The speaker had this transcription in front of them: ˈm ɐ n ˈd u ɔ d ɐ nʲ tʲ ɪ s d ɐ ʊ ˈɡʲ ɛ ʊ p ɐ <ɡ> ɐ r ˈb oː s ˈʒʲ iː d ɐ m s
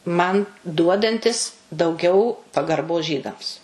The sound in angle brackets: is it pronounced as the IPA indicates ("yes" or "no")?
yes